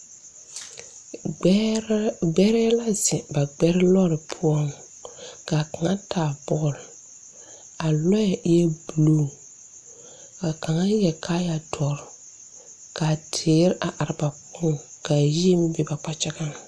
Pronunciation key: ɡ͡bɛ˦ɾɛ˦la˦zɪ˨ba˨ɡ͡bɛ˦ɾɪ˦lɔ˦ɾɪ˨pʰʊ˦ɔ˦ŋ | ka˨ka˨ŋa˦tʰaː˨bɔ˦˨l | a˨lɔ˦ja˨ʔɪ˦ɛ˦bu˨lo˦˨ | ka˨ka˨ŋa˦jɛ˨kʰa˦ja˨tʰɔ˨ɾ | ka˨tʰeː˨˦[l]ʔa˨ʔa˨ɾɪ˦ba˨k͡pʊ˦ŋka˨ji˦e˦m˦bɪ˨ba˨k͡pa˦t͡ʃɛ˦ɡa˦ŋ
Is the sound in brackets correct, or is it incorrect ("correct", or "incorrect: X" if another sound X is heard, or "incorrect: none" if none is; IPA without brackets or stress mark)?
incorrect: ɾ